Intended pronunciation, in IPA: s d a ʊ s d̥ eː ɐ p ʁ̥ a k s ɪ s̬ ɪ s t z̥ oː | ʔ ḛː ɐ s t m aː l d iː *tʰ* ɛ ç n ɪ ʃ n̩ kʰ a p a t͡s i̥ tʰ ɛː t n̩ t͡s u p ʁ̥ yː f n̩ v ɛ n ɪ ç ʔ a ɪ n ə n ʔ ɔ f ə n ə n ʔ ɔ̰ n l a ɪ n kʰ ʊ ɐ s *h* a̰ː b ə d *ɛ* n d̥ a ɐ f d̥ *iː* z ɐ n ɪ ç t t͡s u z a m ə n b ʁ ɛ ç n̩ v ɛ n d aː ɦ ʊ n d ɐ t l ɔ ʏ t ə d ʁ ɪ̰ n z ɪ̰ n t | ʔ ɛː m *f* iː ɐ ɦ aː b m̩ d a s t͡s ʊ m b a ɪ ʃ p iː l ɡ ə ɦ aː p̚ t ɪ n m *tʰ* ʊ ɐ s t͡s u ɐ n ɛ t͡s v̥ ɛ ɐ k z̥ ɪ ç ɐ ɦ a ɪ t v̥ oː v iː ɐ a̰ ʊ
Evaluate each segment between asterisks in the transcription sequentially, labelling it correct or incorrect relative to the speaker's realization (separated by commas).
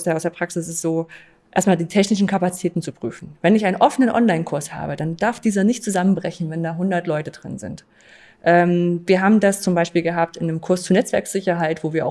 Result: correct, correct, incorrect, correct, incorrect, incorrect